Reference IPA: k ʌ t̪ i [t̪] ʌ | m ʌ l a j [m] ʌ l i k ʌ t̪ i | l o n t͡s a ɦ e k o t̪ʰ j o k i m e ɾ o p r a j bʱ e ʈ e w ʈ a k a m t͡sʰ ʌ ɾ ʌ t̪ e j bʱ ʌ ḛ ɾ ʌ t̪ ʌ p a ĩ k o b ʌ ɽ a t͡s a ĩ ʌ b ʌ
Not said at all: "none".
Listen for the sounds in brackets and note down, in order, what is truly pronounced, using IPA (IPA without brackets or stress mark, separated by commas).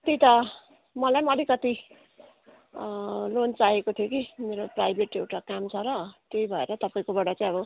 t̪, m